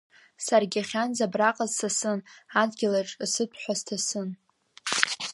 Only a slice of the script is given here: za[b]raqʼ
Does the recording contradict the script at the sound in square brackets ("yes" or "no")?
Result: no